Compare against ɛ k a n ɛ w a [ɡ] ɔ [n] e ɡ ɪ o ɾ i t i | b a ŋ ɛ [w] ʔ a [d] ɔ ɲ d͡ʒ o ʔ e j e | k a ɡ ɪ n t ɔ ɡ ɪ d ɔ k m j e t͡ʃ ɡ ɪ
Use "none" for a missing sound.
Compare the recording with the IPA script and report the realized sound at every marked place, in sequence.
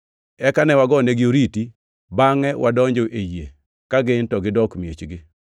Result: ɡ, n, w, d

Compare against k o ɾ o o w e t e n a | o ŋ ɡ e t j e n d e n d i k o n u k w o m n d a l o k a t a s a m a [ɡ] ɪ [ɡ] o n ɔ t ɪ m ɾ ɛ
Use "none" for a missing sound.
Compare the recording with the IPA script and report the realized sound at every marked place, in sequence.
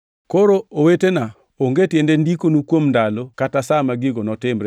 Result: ɡ, ɡ

